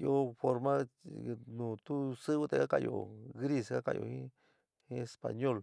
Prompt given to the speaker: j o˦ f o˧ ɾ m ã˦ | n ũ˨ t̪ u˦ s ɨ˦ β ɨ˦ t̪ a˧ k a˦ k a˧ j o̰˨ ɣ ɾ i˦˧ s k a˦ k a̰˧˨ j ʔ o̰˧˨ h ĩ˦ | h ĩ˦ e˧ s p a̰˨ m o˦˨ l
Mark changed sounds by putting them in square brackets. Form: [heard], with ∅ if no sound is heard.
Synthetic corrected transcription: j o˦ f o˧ ɾ m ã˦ | n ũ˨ t̪ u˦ s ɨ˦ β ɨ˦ t̪ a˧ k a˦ k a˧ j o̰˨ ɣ ɾ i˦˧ s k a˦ k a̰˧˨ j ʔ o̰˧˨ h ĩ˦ | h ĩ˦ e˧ s p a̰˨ [ɲ] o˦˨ l